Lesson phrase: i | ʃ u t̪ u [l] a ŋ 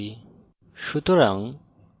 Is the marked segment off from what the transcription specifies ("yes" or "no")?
yes